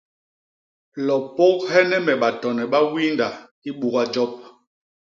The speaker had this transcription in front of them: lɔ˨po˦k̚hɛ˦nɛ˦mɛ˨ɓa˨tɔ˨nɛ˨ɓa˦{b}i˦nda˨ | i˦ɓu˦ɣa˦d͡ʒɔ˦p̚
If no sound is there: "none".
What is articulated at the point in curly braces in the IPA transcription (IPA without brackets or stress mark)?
w